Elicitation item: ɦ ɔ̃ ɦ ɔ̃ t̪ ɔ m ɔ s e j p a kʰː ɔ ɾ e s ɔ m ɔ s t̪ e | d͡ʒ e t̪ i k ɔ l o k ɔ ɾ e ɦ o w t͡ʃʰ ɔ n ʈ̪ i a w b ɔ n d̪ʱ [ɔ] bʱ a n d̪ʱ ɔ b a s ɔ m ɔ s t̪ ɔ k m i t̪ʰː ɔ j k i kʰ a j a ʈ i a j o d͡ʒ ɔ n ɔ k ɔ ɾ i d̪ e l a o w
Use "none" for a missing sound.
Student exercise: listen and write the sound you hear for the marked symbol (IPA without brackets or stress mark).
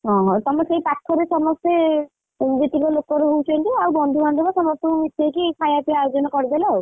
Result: u